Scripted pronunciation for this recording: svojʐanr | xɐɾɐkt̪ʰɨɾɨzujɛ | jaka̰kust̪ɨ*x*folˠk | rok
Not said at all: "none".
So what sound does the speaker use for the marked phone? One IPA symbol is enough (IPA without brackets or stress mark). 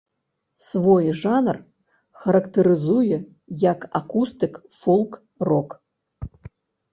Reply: k